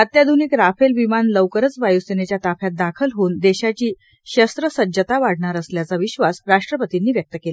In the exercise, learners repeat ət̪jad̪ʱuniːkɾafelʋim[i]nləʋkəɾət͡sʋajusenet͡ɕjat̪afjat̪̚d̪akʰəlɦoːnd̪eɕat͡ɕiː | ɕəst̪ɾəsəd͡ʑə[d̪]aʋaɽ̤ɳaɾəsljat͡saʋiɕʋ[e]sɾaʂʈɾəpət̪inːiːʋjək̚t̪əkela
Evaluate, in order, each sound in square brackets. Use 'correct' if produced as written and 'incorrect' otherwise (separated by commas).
incorrect, incorrect, incorrect